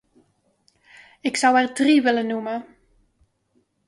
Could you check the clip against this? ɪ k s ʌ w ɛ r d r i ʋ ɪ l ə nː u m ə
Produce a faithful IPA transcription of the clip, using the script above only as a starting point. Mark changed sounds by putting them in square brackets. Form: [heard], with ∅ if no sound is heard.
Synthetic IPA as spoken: ɪ k s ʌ w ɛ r d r i ʋ ɪ l ə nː u m ə